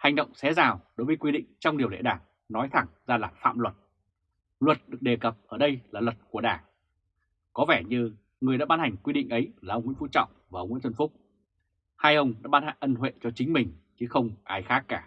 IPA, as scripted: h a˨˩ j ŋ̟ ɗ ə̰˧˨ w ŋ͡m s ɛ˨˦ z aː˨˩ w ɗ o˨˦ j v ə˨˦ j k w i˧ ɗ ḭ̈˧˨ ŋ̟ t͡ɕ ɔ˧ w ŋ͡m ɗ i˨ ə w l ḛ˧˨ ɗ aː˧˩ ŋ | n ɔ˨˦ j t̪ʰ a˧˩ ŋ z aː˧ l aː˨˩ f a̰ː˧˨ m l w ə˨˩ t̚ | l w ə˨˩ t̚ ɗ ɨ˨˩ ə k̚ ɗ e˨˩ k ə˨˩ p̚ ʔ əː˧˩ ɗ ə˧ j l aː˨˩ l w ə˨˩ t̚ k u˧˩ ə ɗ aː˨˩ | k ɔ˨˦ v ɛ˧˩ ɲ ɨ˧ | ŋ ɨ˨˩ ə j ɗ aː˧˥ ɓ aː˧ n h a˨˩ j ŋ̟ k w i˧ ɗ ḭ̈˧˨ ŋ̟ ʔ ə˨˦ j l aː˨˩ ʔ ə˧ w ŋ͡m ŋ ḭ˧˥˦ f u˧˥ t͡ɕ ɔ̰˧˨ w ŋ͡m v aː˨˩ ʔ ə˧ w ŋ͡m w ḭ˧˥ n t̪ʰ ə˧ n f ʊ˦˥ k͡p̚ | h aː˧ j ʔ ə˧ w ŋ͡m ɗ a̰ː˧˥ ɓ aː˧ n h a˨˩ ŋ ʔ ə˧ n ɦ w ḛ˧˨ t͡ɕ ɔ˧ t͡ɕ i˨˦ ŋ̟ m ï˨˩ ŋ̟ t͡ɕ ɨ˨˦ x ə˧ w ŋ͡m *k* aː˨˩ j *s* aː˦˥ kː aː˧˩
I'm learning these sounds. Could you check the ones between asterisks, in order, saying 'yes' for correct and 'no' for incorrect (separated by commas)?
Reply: no, no